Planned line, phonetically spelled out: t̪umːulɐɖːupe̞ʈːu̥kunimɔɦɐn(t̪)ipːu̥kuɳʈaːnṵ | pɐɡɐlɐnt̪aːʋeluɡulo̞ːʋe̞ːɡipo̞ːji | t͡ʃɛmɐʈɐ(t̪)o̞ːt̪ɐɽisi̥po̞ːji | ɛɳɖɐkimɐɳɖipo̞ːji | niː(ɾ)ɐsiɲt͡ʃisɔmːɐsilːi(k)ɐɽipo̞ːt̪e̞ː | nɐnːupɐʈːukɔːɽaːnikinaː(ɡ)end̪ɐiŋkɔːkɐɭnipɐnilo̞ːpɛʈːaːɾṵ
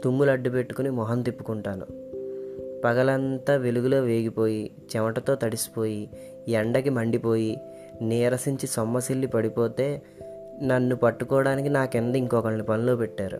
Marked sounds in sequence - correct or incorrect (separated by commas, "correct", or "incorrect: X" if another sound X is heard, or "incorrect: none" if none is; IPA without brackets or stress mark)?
correct, correct, correct, incorrect: p, incorrect: k